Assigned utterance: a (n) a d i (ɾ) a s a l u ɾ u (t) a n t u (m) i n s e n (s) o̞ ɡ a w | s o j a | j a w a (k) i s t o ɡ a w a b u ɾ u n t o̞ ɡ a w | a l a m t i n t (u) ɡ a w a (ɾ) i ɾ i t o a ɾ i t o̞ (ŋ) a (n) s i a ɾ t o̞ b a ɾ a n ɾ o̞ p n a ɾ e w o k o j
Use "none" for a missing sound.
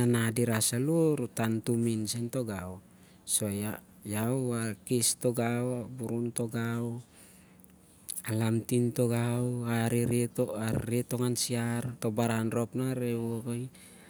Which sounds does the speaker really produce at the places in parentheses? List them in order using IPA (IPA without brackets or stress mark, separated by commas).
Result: n, ɾ, t, m, t, k, o, ɾ, ŋ, n